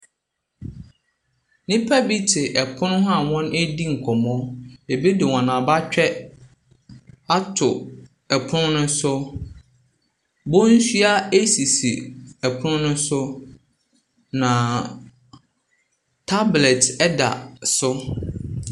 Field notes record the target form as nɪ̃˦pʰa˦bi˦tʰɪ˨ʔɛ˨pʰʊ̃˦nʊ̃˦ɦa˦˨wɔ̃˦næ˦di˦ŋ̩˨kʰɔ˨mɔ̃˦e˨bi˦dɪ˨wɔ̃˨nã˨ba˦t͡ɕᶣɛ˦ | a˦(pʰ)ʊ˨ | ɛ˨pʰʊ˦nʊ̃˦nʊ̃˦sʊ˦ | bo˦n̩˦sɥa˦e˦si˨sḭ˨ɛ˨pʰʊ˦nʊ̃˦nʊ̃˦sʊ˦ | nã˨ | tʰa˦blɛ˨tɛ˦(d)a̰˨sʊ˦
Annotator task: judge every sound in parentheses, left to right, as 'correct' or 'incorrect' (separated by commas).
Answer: incorrect, correct